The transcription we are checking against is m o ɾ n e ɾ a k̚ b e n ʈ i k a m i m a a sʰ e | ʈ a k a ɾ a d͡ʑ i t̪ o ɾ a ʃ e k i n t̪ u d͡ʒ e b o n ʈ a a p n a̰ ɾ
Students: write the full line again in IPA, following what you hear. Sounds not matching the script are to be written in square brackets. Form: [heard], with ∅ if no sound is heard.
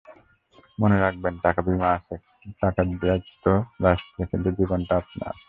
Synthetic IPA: m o [∅] n e ɾ a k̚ b e n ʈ [a] k a [b] i m a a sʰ e | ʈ a k a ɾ a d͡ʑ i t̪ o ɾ a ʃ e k i n t̪ u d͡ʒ [i] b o n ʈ a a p n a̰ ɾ